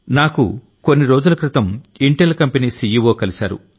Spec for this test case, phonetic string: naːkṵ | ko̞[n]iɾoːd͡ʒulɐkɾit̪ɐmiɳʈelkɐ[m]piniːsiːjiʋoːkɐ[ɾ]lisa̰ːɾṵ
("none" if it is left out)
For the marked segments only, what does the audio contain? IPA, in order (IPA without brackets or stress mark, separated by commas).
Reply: nː, m, none